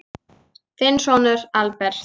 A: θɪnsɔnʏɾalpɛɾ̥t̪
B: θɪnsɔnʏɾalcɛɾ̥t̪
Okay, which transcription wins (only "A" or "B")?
A